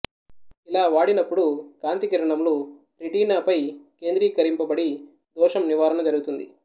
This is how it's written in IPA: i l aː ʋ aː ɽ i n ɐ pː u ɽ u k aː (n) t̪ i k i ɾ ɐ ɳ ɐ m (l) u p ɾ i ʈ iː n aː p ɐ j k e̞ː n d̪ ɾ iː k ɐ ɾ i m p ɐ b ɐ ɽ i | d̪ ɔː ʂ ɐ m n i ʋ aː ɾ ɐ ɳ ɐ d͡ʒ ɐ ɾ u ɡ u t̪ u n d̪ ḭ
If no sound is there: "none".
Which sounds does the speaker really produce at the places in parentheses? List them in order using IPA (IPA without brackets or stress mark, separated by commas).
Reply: n, l